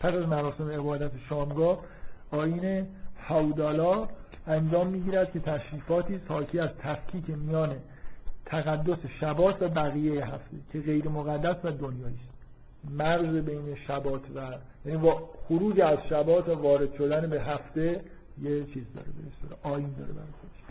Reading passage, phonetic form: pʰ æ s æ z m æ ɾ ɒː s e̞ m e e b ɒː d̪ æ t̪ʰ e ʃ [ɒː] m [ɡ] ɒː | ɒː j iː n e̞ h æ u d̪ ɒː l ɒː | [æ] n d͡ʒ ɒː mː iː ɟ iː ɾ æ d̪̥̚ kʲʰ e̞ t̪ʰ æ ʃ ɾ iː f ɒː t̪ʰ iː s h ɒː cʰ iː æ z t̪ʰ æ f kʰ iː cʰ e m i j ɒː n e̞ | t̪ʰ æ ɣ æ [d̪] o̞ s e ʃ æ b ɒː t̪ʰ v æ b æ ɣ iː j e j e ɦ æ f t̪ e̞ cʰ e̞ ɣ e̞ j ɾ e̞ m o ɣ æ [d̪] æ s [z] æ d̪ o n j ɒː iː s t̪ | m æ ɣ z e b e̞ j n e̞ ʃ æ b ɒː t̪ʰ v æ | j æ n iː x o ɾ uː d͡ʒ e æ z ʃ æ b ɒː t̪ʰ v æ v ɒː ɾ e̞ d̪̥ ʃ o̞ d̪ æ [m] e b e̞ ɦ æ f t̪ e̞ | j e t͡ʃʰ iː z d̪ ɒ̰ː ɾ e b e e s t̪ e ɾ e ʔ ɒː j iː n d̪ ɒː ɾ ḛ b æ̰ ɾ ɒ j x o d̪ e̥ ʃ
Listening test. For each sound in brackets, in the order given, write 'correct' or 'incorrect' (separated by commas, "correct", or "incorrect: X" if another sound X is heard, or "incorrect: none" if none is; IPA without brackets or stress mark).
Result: correct, correct, correct, incorrect: d̪ː, incorrect: d̪ː, incorrect: v, incorrect: n